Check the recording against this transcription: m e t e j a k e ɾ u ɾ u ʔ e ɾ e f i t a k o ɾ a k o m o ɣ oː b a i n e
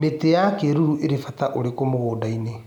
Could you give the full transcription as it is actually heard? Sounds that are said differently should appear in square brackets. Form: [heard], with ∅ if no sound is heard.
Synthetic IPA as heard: m e t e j a k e ɾ u ɾ u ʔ e ɾ e f [a] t a [ʔ] o ɾ [e] k o m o ɣ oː [d] a i n e